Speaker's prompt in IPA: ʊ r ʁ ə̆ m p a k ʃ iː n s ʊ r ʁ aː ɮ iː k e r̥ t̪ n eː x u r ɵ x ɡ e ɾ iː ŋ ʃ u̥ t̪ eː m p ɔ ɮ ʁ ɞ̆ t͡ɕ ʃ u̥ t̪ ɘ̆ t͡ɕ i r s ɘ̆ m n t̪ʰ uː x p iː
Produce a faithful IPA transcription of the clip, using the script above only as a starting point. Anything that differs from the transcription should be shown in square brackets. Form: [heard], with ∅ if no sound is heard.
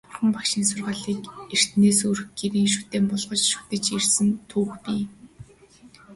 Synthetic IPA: ʊ r [χ] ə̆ m p a k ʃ iː n s ʊ r ʁ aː ɮ iː k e r̥ t̪ n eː [s] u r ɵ x ɡ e ɾ iː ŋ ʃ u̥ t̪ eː m p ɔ ɮ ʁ ɞ̆ t͡ɕ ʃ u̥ t̪ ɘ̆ t͡ɕ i r s ɘ̆ [∅] n t̪ʰ uː x p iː